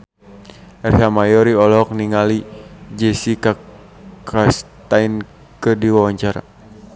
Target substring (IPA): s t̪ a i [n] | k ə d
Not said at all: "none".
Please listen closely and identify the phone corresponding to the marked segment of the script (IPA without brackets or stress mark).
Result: n